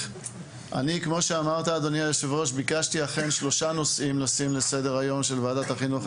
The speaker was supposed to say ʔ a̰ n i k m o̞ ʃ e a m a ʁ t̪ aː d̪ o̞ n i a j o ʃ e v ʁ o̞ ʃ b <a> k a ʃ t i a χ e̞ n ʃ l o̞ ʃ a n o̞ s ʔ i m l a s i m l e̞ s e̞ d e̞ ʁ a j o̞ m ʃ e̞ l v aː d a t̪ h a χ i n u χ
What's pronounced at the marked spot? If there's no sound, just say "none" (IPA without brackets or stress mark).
i